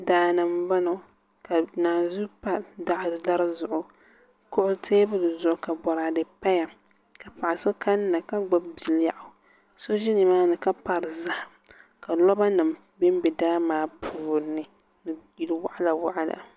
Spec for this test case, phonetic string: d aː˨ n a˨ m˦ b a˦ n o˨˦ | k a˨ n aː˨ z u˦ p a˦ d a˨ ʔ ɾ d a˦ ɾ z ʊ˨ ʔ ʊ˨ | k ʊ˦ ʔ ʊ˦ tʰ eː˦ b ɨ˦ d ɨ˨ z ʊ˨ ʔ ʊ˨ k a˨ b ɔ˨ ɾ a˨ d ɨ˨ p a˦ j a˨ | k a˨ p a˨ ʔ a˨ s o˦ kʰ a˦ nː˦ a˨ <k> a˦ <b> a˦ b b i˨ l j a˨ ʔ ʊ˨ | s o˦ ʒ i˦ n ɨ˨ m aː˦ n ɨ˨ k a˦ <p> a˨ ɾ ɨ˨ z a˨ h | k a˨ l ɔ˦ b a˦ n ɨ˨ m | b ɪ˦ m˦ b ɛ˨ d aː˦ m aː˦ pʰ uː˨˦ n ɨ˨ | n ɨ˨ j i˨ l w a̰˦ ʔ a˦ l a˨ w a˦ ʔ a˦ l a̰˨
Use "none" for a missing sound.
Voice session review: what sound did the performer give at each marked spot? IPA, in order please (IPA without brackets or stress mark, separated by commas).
k, ɡ͡b, p